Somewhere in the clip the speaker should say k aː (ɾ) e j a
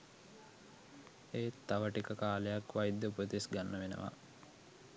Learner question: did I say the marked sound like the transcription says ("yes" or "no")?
no